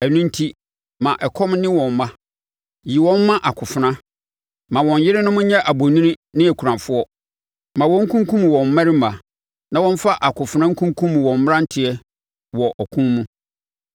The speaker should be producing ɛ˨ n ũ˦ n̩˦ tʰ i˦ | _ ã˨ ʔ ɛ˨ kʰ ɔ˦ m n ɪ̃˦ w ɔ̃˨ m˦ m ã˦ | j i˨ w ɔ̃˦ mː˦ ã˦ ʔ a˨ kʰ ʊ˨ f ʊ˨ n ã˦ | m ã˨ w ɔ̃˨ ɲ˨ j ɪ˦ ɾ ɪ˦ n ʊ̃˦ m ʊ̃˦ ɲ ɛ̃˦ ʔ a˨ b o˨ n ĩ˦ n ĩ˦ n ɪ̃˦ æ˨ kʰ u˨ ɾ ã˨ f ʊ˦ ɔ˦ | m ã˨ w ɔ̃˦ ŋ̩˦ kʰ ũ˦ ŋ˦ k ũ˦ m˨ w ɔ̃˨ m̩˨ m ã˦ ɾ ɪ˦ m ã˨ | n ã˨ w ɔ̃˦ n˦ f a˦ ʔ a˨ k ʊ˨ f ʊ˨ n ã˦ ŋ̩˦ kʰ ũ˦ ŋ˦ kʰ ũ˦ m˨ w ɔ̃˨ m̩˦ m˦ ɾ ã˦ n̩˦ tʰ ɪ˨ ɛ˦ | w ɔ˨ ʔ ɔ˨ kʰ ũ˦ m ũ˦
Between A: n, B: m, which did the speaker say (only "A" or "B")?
B